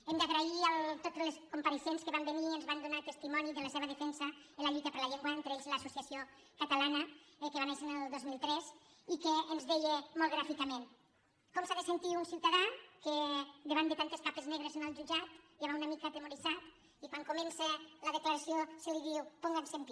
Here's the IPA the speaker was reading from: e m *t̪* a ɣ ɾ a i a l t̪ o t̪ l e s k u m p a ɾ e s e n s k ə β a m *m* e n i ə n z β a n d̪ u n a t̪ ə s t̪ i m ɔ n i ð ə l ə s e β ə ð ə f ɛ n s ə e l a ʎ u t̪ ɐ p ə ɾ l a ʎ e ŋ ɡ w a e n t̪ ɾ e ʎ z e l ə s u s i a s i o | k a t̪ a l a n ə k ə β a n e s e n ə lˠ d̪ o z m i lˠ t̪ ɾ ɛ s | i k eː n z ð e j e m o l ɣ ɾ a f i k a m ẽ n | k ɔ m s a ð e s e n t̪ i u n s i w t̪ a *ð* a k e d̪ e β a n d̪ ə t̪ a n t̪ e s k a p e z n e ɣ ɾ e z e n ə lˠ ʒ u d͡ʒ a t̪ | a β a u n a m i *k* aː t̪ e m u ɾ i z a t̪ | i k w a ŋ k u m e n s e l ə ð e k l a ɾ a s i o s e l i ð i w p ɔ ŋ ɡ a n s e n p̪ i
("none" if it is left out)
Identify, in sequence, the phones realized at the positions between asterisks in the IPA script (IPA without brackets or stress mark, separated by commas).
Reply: d̪, b, ð, k